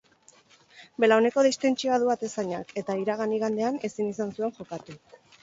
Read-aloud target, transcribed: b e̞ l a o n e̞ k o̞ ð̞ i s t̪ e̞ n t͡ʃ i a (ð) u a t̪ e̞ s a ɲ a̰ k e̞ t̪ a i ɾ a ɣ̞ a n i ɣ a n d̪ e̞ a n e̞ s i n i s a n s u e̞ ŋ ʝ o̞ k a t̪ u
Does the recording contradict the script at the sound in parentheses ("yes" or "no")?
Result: no